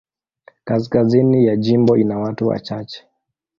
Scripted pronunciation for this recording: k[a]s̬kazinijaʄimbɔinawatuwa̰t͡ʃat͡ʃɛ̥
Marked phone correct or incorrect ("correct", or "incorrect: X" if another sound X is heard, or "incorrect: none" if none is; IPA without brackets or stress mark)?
correct